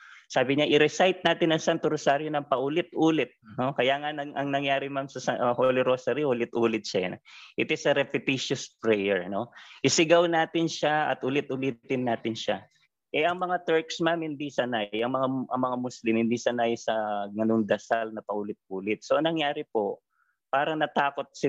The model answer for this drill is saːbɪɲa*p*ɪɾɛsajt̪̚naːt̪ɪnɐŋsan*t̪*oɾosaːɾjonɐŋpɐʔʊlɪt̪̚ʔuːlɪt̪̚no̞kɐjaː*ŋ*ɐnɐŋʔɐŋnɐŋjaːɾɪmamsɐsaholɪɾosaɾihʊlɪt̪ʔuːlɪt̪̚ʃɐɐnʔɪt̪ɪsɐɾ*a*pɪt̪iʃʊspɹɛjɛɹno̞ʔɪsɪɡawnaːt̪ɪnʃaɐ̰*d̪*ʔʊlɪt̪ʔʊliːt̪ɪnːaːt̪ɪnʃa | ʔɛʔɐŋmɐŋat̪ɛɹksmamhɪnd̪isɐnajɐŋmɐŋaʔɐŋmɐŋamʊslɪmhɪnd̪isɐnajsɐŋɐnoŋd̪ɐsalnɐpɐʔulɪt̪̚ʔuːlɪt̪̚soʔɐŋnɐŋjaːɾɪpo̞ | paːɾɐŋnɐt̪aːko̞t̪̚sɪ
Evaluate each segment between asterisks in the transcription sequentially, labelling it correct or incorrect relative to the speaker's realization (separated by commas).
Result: incorrect, correct, correct, incorrect, incorrect